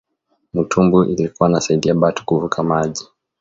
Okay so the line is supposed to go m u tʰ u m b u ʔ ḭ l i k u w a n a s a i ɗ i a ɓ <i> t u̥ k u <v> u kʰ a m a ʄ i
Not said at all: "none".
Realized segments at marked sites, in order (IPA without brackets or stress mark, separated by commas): a, v